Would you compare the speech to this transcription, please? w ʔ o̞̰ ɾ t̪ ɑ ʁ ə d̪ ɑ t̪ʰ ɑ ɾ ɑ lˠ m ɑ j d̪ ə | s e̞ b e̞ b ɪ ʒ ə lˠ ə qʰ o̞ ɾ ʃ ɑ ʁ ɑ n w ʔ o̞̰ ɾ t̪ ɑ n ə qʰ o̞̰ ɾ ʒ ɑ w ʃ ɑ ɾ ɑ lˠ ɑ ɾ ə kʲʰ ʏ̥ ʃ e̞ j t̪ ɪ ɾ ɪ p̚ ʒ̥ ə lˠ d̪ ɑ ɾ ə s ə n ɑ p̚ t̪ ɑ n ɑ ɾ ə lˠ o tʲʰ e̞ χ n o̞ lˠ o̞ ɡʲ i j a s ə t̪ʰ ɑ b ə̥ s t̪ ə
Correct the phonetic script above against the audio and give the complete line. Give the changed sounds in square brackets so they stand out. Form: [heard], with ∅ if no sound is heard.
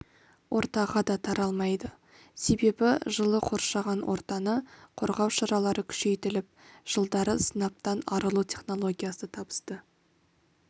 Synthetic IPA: w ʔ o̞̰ ɾ t̪ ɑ ʁ [ɑ] d̪ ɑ t̪ʰ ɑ ɾ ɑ lˠ m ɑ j d̪ ə | s e̞ b e̞ b ɪ ʒ ə lˠ ə qʰ o̞ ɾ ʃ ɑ ʁ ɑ n w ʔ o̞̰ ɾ t̪ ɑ n ə qʰ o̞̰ ɾ [ʁ] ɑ w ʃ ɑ ɾ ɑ lˠ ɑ ɾ ə kʲʰ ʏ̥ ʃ e̞ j t̪ ɪ [l] ɪ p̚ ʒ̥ ə lˠ d̪ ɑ ɾ ə s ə n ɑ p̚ t̪ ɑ n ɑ ɾ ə lˠ [u] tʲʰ e̞ χ n o̞ lˠ o̞ ɡʲ i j a s ə t̪ʰ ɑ b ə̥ s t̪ ə